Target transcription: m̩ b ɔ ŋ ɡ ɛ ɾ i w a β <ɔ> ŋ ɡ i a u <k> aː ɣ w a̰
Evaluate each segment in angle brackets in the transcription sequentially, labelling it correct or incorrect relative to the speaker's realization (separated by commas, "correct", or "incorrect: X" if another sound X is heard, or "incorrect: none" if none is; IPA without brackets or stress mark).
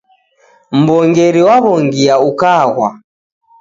correct, correct